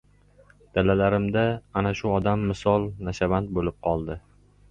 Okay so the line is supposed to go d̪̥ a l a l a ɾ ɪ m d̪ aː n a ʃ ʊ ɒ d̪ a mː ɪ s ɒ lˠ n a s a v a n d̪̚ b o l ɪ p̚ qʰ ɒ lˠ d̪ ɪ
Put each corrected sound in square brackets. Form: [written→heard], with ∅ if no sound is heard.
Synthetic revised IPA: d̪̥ a l a l a ɾ ɪ m d̪ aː n a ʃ ʊ ɒ d̪ a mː ɪ s ɒ lˠ n a [s→ʃ] a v a n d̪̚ b o l ɪ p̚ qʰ ɒ lˠ d̪ ɪ